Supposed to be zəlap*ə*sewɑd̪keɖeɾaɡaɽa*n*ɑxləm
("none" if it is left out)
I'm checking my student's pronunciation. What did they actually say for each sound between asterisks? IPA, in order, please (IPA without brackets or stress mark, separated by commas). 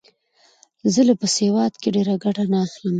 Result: ə, n